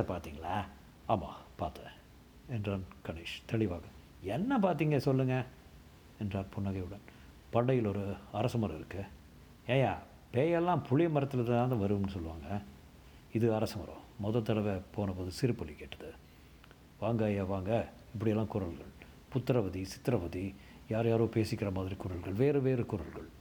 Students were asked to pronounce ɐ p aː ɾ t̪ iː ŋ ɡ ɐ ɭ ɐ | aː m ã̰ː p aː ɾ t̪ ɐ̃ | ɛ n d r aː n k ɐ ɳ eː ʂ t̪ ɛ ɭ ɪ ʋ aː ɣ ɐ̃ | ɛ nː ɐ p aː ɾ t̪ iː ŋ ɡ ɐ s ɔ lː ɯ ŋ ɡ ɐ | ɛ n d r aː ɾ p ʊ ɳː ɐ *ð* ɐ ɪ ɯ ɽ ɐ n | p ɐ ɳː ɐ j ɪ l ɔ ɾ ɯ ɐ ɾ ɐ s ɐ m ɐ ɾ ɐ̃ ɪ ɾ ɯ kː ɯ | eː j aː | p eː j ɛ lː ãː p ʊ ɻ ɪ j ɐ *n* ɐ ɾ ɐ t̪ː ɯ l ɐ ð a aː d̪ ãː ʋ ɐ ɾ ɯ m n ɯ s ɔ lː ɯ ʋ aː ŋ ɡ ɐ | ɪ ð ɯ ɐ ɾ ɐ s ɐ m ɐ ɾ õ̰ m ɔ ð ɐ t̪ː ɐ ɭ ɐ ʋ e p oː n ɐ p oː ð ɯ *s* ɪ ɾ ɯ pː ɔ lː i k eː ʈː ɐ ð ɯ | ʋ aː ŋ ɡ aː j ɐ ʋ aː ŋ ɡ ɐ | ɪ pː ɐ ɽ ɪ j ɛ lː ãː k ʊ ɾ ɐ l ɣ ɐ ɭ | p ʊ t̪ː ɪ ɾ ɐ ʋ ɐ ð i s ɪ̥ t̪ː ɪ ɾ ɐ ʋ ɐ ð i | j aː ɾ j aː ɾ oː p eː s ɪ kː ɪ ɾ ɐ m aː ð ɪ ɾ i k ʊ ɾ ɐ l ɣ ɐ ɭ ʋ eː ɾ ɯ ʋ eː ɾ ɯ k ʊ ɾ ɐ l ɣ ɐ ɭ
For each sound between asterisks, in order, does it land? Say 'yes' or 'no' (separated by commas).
no, no, yes